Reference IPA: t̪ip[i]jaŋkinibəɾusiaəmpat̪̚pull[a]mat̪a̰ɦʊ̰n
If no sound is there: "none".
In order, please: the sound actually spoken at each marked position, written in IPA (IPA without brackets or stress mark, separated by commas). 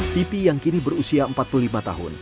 i, i